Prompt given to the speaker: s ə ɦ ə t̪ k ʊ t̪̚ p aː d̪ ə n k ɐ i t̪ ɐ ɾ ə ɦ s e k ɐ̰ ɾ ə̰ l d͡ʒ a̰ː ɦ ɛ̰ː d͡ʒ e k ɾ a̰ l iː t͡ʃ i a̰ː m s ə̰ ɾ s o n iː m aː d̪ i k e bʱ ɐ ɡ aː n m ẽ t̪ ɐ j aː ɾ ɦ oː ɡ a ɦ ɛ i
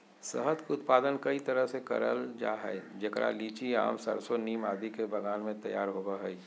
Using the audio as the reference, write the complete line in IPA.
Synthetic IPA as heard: s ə ɦ ə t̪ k ʊ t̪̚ p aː d̪ ə n k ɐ i t̪ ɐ ɾ ə ɦ s e k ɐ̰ ɾ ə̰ l d͡ʒ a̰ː ɦ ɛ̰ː d͡ʒ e k ɾ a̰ l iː t͡ʃ i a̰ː m s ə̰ ɾ s o n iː m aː d̪ i k e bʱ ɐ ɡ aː n m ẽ t̪ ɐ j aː ɾ ɦ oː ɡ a ɦ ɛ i